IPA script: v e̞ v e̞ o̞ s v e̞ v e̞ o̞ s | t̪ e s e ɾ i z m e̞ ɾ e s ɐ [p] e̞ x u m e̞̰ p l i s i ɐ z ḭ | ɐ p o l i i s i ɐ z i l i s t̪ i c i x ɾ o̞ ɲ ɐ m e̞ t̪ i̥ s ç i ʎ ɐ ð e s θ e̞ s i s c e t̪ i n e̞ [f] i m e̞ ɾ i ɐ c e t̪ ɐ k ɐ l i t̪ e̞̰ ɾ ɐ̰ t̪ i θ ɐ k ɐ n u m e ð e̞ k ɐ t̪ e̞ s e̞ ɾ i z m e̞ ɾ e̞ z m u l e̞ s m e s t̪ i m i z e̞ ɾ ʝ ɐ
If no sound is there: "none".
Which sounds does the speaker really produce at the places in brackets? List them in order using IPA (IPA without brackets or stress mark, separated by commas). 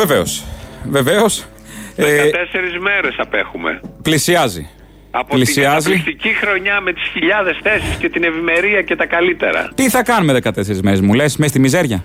p, v